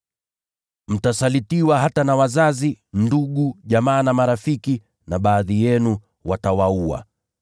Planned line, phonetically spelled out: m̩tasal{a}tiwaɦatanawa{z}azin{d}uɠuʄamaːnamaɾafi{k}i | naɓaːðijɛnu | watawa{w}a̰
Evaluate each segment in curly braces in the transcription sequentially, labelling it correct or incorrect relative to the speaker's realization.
incorrect, correct, correct, correct, incorrect

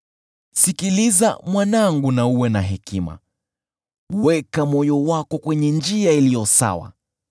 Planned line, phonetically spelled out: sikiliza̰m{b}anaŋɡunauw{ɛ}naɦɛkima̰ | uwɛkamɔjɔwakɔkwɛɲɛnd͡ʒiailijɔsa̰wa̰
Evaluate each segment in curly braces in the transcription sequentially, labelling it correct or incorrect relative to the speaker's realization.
incorrect, correct

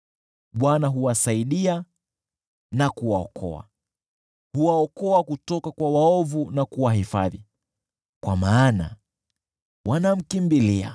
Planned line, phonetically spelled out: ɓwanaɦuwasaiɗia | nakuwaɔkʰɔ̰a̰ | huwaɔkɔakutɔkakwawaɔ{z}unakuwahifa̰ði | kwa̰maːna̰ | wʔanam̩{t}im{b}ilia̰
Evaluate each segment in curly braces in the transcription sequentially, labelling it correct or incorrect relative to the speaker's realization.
incorrect, incorrect, correct

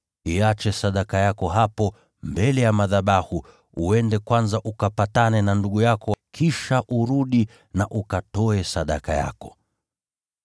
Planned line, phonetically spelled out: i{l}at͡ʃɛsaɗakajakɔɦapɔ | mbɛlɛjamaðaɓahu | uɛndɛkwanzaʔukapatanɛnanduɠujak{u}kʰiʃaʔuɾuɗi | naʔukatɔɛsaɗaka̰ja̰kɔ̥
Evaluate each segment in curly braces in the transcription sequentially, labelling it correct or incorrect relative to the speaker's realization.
incorrect, incorrect

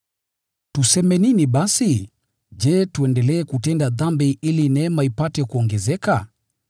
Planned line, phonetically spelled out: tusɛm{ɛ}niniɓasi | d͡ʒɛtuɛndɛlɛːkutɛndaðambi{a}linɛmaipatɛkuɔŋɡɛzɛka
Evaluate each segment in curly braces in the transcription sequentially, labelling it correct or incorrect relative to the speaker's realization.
correct, incorrect

